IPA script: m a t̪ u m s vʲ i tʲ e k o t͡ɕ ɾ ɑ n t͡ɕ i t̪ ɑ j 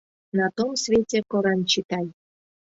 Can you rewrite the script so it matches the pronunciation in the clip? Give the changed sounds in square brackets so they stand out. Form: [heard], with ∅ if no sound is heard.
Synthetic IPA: [n] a t̪ [o] m s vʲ [e] tʲ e k o [∅] ɾ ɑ n t͡ɕ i t̪ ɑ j